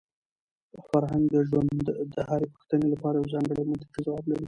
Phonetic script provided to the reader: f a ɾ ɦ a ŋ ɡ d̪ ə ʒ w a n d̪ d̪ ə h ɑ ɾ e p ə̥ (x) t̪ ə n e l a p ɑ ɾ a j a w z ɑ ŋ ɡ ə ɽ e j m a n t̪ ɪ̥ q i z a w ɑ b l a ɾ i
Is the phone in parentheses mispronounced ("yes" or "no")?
no